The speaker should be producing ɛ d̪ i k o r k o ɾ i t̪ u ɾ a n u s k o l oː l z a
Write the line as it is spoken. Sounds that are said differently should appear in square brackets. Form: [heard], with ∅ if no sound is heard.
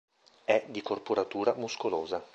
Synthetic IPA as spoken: ɛ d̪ i k o r [p] o ɾ [a] t̪ [uː] ɾ a [m] u s k o l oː [∅] z a